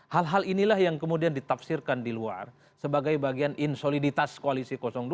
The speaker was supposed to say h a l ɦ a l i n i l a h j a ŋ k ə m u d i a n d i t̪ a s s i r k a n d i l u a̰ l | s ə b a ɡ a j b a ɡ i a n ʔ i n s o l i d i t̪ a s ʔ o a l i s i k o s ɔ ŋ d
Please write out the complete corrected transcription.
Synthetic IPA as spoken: h a l ɦ a l i n i l a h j a ŋ k ə m u d i a n d i t̪ a f s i r k a n d i l u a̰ r | s ə b a ɡ a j b a ɡ i a n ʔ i n s o l i d i t̪ a s k o a l i s i k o s ɔ ŋ d

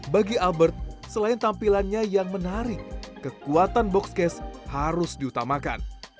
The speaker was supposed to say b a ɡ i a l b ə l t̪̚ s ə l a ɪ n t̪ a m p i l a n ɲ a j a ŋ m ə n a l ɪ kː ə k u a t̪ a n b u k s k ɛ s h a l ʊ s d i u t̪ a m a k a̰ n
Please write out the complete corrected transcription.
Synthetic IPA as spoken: b a ɡ i a l b ə r t̪̚ s ə l a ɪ n t̪ a m p i l a n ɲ a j a ŋ m ə n a ɾ ɪ kː ə k u a t̪ a n b ɔ k s k ɛ s h a ɾ ʊ s d i u t̪ a m a k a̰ n

